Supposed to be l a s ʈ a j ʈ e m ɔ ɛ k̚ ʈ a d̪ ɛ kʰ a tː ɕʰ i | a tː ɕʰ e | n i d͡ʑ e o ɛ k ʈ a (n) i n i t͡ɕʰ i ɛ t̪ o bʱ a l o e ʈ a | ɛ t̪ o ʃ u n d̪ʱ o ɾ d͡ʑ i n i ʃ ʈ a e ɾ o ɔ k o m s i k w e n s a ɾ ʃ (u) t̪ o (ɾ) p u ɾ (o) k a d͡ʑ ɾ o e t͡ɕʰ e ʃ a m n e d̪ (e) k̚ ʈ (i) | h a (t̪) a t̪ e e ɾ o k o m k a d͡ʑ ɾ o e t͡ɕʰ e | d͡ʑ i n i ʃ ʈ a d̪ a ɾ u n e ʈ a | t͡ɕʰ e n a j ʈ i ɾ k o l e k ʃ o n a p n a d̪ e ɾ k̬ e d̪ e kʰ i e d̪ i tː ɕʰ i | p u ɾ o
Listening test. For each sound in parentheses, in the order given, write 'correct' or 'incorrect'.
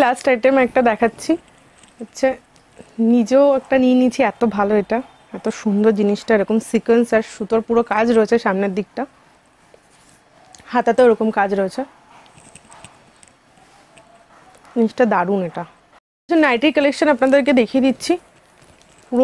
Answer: correct, correct, correct, correct, incorrect, incorrect, correct

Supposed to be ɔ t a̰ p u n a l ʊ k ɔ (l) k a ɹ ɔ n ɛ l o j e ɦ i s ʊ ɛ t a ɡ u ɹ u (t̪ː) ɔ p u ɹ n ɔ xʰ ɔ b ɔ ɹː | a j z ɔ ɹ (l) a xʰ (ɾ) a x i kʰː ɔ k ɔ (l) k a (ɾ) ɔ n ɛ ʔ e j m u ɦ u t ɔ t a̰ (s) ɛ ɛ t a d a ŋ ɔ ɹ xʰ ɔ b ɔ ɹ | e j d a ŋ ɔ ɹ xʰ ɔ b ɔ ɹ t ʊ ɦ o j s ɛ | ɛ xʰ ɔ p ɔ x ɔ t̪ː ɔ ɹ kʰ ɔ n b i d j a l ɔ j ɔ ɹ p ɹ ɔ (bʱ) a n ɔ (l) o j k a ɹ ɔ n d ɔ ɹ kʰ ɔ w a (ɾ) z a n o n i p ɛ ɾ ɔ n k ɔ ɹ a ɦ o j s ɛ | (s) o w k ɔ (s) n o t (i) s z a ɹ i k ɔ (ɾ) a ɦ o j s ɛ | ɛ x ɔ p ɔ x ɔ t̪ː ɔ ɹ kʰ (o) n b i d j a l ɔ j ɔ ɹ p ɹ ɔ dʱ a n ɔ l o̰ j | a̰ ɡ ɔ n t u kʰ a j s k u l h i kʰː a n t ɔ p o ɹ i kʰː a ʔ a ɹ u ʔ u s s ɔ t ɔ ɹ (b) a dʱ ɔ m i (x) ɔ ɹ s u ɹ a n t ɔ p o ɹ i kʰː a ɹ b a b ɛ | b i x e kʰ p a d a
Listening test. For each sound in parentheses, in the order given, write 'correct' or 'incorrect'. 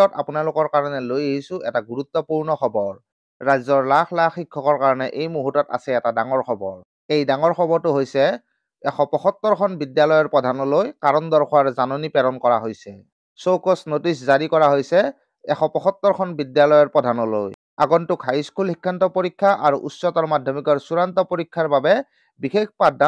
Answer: incorrect, correct, correct, incorrect, incorrect, incorrect, correct, incorrect, correct, incorrect, correct, correct, correct, incorrect, incorrect, incorrect, incorrect

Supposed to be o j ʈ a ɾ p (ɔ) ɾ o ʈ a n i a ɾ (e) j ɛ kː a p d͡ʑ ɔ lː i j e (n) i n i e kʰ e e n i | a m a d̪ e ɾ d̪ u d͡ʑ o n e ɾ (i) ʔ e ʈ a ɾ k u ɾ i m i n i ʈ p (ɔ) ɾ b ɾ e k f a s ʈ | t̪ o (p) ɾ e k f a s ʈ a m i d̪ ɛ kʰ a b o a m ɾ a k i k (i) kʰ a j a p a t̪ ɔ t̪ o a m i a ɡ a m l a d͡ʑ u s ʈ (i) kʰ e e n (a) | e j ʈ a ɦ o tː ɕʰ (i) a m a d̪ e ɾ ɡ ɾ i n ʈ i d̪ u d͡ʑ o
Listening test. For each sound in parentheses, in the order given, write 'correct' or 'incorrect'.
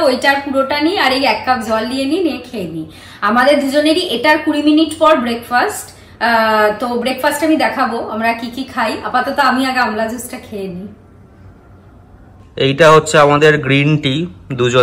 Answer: incorrect, correct, correct, correct, correct, incorrect, correct, incorrect, incorrect, incorrect

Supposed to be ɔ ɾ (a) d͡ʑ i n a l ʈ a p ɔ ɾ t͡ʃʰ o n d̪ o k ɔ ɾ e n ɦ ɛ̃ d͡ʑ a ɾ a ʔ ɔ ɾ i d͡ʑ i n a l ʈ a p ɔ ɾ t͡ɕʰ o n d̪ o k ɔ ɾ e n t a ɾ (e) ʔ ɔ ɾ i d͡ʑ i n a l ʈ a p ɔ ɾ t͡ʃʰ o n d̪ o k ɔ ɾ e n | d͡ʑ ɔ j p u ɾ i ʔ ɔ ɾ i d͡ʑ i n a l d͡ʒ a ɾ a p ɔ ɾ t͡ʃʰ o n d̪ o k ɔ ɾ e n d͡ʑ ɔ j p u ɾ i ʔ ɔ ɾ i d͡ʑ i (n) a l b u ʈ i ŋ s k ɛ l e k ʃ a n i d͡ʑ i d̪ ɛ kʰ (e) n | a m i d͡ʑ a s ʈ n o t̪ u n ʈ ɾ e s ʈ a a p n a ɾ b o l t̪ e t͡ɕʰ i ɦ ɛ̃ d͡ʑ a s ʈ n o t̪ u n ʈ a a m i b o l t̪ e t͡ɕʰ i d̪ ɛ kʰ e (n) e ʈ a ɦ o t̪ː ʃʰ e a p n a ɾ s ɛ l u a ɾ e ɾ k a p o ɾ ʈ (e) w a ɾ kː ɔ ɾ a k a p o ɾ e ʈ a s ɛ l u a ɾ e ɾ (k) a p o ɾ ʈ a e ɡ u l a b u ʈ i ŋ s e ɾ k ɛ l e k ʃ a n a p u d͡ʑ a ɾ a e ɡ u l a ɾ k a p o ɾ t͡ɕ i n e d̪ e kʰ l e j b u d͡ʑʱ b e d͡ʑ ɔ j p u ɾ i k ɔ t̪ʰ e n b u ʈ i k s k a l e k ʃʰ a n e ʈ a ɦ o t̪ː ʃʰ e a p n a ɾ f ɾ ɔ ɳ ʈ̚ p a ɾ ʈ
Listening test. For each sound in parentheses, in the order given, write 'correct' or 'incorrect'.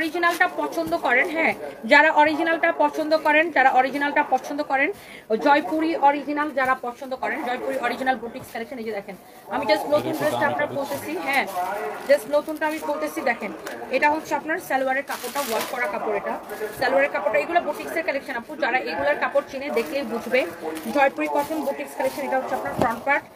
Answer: incorrect, incorrect, correct, correct, correct, incorrect, correct

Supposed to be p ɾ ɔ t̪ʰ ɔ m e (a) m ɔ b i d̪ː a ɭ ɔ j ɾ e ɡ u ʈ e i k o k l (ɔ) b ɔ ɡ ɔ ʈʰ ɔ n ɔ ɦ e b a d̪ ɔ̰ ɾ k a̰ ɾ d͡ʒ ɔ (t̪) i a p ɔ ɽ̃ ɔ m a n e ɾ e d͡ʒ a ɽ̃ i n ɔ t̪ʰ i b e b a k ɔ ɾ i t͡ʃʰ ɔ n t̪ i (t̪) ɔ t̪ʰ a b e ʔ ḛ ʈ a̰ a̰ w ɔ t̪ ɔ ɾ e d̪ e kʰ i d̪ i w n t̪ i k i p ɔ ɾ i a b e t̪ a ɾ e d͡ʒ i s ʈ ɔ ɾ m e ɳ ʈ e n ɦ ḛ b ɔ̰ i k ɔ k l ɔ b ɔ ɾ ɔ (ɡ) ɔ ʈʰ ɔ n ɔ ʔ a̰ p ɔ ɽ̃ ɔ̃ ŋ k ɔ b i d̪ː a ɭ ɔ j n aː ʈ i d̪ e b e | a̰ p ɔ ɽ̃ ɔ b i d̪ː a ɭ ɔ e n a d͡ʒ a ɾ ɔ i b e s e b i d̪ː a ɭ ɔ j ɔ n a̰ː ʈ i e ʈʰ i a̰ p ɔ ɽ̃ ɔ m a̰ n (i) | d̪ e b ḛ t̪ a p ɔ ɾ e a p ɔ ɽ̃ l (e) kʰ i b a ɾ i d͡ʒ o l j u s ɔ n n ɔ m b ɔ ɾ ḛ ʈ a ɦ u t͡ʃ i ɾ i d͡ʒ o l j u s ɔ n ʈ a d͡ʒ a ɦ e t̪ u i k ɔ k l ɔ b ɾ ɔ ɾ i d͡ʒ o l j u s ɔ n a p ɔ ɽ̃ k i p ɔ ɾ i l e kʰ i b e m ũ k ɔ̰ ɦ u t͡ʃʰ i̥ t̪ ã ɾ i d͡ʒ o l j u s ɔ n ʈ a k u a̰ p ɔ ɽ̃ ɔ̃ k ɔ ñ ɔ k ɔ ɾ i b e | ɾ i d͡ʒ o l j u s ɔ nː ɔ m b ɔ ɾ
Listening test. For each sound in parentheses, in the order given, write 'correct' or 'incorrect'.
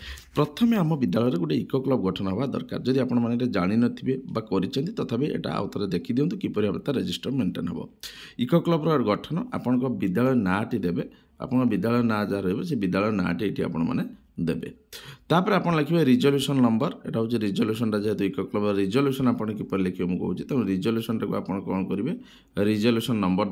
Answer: correct, correct, incorrect, correct, correct, incorrect, correct

